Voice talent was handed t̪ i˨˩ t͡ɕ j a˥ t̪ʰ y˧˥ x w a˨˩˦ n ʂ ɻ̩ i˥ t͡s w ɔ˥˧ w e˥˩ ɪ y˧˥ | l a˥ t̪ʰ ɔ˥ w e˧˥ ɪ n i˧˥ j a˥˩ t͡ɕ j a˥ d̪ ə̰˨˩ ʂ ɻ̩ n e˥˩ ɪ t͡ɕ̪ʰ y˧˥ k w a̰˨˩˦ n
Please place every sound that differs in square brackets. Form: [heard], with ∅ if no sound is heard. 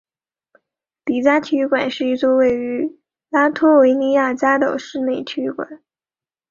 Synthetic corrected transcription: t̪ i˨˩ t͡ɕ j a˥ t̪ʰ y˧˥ [k] w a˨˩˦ n ʂ ɻ̩ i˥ t͡s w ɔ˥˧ w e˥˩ ɪ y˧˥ | l a˥ t̪ʰ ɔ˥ w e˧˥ ɪ n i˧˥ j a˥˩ t͡ɕ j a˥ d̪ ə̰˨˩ ʂ ɻ̩ n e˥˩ ɪ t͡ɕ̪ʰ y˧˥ k w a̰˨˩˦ n